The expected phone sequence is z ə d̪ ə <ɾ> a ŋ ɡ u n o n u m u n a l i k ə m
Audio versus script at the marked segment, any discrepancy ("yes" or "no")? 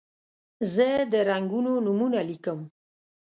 no